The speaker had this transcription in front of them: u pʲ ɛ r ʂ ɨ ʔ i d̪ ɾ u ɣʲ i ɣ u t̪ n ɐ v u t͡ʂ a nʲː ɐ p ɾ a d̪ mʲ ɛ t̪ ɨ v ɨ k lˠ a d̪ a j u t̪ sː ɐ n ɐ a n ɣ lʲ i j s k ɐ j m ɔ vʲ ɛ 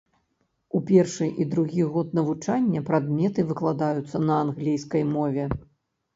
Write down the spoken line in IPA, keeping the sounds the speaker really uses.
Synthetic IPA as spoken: u pʲ ɛ r ʂ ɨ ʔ i d̪ ɾ u ɣʲ i ɣ ɔ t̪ n ɐ v u t͡ʂ a nʲː ɐ p ɾ a d̪ mʲ ɛ t̪ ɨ v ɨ k lˠ a d̪ a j u t̪ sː ɐ n ɐ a n ɣ lʲ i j s k ɐ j m ɔ vʲ ɛ

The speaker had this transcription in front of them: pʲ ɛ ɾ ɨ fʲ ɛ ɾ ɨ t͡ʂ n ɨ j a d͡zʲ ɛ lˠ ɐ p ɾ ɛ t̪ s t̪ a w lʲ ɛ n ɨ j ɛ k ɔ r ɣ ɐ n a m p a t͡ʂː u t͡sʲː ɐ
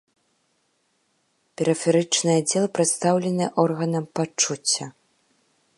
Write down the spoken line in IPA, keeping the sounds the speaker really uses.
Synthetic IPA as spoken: pʲ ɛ ɾ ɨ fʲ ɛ ɾ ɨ t͡ʂ n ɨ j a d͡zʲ ɛ lˠ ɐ p ɾ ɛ t̪ s t̪ a w lʲ ɛ n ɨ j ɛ ʔ ɔ r ɣ ɐ n ɐ m p a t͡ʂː u t͡sʲː ɐ

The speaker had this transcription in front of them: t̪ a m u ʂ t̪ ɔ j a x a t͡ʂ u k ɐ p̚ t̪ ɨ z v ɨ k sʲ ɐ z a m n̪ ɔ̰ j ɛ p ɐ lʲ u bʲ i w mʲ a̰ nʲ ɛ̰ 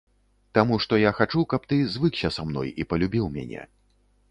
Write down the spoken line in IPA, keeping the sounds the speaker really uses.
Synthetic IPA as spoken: t̪ a m u ʂ t̪ ɔ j a x a t͡ʂ u k ɐ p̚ t̪ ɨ z v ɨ k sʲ ɐ s a m n̪ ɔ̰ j i p ɐ lʲ u bʲ i w mʲ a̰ nʲ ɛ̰

